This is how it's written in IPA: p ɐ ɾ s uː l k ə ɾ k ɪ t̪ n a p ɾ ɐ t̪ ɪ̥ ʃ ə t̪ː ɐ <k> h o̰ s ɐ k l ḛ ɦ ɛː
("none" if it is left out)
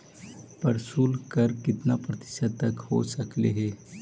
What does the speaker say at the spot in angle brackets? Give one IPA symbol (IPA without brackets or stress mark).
k